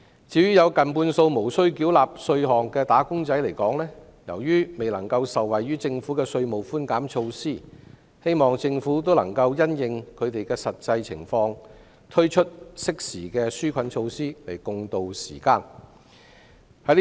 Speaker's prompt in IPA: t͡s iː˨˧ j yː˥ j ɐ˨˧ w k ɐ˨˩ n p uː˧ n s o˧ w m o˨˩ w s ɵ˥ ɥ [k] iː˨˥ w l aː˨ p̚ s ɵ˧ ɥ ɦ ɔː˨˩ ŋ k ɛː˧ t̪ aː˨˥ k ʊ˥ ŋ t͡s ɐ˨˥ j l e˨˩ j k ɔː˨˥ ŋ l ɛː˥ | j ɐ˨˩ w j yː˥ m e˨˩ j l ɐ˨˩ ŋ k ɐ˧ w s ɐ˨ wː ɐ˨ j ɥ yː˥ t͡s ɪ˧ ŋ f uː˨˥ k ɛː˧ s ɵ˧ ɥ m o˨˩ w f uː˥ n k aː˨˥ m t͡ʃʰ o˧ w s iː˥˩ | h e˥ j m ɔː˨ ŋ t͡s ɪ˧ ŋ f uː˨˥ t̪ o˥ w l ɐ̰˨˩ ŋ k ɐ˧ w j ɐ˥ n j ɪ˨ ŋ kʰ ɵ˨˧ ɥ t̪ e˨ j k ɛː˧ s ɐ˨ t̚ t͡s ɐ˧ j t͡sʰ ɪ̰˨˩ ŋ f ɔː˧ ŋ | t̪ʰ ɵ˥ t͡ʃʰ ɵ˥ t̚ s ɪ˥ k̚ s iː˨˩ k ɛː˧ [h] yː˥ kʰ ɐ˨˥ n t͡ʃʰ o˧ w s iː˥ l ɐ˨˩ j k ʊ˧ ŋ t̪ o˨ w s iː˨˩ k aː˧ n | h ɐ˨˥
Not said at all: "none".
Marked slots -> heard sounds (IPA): k, s

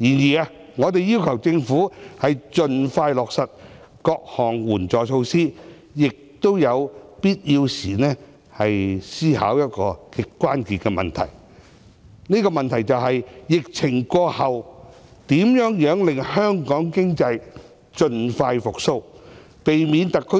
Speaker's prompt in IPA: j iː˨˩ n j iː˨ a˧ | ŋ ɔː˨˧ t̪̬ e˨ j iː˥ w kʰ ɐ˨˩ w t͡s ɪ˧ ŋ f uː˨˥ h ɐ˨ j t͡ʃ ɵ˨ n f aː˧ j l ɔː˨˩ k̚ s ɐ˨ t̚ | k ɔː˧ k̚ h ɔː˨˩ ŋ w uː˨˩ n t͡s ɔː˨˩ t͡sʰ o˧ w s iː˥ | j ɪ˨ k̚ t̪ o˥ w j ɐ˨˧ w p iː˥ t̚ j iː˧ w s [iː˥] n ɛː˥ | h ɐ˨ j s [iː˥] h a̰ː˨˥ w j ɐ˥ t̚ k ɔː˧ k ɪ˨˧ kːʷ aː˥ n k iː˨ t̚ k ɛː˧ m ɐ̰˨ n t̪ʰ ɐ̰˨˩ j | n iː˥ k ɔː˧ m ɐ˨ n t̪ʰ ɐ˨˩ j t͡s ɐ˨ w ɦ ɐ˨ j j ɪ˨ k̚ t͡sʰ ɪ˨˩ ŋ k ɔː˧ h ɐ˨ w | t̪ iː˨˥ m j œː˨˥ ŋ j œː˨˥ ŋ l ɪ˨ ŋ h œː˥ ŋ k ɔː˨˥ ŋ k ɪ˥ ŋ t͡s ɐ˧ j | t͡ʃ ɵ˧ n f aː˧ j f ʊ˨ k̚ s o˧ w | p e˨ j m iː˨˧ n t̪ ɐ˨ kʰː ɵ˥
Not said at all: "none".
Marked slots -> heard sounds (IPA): iː˨˩, iː˥

